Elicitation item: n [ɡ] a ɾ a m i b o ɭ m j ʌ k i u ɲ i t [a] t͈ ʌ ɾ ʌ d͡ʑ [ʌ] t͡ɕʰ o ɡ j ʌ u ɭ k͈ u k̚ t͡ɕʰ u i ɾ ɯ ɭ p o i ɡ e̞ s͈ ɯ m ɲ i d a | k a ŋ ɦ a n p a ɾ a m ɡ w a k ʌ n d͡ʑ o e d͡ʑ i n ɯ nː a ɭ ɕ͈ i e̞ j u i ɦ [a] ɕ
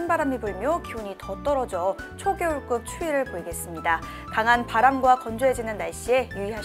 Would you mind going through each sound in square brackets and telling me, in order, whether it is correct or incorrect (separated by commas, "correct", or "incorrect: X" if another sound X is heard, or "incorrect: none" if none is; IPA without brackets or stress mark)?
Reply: incorrect: b, incorrect: ʌ, correct, correct